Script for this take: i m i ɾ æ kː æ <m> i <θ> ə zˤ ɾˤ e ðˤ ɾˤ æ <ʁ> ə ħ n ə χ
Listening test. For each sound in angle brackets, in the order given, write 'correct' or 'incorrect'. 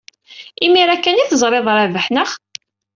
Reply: incorrect, correct, incorrect

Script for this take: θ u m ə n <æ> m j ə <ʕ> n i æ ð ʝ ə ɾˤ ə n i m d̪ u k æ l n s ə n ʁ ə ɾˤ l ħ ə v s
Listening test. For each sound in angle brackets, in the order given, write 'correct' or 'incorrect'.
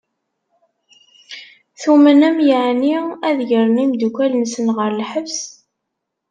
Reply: correct, correct

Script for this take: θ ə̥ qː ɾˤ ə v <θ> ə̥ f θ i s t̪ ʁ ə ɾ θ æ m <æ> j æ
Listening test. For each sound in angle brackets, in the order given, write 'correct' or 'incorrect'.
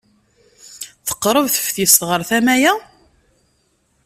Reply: correct, correct

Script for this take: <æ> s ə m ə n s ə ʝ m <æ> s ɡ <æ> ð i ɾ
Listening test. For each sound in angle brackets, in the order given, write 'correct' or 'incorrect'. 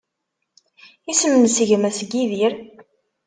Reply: incorrect, correct, incorrect

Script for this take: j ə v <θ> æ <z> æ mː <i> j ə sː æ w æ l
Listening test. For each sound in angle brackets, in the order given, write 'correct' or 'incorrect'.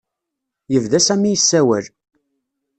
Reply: incorrect, incorrect, correct

